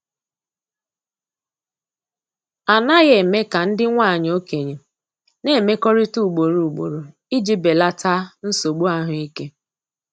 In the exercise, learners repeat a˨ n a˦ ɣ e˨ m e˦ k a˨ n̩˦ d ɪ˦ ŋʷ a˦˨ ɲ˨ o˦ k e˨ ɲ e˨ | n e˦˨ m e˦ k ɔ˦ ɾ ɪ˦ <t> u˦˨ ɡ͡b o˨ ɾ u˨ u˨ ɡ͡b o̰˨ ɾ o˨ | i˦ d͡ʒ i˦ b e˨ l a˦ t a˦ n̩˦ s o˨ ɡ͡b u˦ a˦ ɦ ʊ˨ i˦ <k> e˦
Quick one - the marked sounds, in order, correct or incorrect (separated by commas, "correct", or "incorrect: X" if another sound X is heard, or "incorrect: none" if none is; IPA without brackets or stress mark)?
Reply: correct, correct